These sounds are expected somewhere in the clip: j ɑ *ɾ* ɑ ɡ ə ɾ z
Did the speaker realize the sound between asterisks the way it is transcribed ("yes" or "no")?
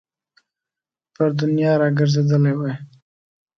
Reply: yes